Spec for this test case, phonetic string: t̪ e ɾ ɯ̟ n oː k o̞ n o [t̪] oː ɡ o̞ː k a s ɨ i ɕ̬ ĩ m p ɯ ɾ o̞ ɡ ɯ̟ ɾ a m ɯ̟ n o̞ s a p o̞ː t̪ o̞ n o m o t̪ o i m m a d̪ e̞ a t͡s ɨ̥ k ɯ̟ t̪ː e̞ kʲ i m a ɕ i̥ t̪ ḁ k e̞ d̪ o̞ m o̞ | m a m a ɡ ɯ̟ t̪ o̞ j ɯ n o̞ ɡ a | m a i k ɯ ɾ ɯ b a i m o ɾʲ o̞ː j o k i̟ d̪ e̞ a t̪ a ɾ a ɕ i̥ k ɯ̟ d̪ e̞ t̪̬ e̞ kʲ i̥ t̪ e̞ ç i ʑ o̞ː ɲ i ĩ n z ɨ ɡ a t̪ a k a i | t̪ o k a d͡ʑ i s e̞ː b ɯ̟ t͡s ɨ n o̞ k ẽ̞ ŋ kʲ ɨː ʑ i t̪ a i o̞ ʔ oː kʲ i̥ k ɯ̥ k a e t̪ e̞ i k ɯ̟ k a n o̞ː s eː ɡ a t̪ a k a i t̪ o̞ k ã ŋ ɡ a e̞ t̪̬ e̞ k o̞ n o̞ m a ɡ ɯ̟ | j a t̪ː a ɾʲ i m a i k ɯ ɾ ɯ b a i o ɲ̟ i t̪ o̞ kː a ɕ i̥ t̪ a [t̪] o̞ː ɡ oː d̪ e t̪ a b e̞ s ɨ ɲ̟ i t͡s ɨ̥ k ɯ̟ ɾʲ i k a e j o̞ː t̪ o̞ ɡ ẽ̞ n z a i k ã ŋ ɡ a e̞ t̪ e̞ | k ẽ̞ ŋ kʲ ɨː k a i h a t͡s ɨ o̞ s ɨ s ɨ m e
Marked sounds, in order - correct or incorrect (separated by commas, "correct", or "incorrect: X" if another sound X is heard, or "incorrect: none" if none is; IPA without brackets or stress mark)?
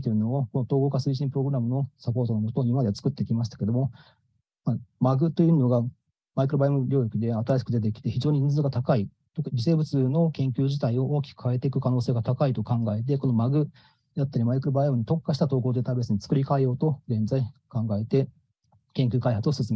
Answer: correct, correct